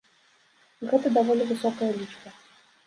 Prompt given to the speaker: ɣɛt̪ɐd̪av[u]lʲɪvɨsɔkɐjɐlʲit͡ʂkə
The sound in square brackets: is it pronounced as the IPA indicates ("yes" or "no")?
no